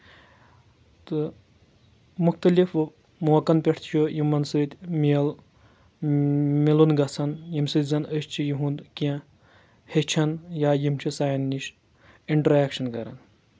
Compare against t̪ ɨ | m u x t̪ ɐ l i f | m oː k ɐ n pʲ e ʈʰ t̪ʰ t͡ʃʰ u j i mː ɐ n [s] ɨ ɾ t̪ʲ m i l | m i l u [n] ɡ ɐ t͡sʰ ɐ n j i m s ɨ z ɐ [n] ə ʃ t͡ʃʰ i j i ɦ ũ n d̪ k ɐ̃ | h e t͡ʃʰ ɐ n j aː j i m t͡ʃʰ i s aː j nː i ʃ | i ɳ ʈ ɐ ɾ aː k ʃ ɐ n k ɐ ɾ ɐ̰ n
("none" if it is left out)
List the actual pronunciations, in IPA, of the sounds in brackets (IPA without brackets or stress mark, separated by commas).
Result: s, n, n